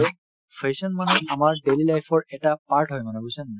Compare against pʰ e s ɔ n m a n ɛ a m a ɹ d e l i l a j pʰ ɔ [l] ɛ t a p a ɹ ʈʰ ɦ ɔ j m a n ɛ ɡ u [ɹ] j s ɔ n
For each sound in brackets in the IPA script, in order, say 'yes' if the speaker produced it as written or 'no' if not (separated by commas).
no, no